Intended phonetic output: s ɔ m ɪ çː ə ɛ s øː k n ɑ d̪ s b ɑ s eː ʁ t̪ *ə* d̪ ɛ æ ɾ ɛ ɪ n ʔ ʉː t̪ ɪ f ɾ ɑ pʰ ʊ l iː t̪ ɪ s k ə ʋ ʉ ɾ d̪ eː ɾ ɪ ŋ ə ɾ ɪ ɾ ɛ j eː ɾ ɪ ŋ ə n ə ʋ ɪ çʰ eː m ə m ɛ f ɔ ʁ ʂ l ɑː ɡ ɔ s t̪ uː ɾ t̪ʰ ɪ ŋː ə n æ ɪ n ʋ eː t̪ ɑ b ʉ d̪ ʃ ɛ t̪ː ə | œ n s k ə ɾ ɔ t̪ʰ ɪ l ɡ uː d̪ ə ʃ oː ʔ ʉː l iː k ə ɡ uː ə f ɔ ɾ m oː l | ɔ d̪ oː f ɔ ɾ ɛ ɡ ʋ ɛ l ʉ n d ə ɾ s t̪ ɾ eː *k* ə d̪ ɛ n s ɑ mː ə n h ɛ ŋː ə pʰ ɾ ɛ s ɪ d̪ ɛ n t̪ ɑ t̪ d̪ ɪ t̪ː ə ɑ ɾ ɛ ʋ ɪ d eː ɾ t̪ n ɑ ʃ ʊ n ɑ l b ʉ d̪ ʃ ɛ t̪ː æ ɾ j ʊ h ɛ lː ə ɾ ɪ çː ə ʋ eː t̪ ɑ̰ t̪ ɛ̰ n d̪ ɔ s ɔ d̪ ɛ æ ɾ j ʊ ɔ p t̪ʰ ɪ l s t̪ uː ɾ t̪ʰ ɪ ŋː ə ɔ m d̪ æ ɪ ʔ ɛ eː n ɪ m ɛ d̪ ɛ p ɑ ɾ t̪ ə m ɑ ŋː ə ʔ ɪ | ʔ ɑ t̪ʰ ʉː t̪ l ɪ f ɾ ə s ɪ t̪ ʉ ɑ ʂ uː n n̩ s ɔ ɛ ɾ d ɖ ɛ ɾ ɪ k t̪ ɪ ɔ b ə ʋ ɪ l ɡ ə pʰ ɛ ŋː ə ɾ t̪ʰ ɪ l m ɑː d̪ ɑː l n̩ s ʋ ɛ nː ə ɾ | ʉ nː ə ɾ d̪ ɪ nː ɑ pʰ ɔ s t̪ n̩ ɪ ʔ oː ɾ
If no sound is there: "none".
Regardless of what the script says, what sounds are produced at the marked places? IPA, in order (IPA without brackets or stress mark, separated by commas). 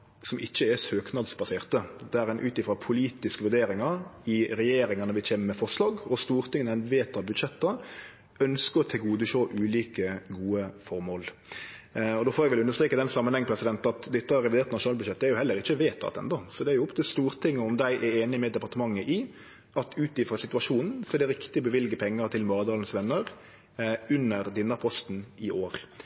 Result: ə, k